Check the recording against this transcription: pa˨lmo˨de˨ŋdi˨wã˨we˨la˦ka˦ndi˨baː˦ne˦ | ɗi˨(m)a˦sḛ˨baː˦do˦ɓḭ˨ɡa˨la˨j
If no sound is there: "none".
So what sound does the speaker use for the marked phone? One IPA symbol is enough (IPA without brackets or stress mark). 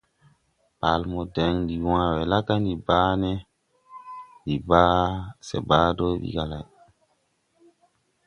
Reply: b